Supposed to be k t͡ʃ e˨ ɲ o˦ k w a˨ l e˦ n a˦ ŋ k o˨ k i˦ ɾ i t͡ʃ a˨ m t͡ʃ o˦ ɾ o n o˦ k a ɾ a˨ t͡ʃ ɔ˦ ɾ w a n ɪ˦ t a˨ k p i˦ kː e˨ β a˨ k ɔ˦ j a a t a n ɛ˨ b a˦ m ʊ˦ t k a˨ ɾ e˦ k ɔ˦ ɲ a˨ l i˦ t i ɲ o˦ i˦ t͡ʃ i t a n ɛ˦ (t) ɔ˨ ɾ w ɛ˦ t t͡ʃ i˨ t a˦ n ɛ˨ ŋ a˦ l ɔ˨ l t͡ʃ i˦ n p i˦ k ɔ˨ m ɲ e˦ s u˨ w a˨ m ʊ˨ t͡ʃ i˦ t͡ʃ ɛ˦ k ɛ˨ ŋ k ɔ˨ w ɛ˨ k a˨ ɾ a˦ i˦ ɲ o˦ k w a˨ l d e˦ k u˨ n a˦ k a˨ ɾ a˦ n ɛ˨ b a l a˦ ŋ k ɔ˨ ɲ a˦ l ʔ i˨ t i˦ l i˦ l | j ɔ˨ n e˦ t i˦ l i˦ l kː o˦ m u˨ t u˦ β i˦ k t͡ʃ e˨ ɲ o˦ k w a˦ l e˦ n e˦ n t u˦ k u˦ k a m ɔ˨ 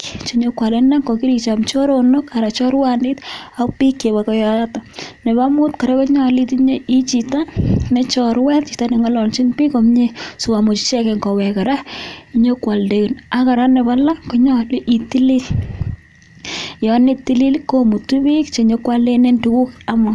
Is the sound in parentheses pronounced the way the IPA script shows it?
no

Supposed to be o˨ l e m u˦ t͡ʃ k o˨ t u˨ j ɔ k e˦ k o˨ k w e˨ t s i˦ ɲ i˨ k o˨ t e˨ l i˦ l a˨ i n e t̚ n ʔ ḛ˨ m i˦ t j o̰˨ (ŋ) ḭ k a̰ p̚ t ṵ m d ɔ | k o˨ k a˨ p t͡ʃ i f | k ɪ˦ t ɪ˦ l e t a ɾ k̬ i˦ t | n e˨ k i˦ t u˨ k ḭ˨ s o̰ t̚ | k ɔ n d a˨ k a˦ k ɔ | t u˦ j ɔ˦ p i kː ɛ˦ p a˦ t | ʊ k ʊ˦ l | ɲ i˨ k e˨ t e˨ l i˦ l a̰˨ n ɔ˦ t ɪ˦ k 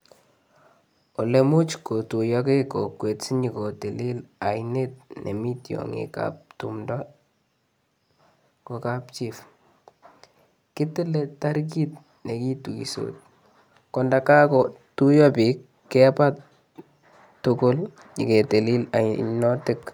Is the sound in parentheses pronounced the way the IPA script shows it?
yes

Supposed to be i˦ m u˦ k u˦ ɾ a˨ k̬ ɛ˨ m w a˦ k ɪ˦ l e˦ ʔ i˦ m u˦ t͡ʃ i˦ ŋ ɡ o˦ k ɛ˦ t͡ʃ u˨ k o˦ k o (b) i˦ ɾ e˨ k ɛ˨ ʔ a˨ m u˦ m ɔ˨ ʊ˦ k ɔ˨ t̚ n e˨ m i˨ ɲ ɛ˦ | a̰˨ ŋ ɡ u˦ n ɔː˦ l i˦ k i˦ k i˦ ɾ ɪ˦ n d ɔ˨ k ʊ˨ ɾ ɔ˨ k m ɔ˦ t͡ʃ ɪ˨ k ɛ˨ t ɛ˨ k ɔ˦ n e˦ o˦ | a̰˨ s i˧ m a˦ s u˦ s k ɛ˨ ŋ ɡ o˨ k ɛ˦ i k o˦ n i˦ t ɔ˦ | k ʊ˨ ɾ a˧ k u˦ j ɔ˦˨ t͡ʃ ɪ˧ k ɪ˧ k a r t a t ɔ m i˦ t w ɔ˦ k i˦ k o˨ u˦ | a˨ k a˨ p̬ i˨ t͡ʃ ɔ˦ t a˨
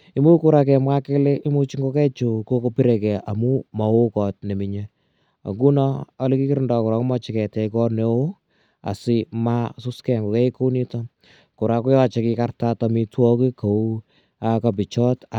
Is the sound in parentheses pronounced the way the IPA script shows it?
no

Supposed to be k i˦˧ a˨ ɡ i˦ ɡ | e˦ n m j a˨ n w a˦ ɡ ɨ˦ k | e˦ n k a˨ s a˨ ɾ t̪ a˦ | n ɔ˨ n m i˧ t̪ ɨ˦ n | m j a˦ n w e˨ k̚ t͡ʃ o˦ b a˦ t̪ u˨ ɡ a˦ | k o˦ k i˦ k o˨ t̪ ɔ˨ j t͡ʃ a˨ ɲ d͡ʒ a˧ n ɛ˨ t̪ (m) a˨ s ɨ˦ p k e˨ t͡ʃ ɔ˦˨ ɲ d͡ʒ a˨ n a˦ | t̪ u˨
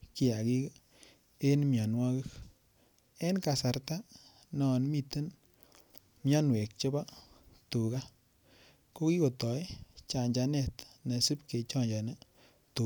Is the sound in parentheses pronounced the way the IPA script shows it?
no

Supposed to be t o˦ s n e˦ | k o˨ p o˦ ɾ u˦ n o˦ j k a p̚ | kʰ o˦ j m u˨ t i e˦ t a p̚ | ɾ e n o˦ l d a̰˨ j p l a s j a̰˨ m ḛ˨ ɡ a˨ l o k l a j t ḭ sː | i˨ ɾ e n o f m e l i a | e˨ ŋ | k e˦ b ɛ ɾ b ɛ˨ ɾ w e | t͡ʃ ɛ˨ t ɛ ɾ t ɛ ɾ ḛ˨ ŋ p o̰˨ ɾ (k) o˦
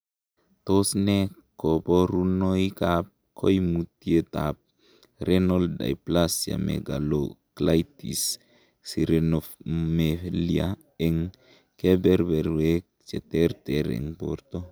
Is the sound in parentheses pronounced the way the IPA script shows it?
no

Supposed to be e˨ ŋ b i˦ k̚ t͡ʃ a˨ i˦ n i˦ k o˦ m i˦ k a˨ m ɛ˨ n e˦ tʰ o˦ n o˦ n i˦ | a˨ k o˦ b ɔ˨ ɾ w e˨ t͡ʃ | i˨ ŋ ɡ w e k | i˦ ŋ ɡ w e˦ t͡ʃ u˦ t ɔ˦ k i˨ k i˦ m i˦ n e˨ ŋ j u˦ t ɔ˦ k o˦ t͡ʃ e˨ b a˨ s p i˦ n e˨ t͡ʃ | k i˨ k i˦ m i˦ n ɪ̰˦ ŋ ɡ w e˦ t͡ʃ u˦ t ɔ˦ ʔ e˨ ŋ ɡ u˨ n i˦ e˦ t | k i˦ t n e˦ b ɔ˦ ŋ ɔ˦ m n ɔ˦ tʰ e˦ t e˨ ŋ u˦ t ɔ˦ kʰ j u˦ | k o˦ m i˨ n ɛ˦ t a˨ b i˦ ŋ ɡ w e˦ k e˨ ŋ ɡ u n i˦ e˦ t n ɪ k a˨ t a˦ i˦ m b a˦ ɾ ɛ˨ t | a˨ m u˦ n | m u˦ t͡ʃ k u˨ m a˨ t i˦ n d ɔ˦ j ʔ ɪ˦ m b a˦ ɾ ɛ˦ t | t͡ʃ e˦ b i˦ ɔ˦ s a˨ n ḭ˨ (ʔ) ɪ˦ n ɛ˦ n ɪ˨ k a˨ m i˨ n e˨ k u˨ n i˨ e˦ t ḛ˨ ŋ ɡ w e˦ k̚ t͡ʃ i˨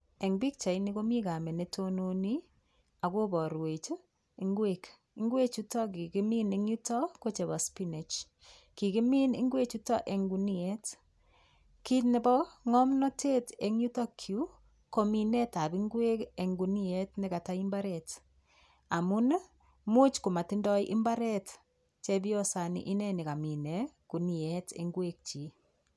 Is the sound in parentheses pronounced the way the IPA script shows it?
yes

